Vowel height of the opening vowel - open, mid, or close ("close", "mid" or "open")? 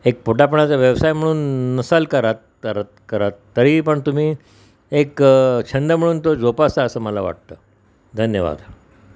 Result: mid